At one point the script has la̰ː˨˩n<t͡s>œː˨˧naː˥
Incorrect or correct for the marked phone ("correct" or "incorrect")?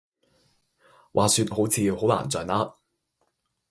correct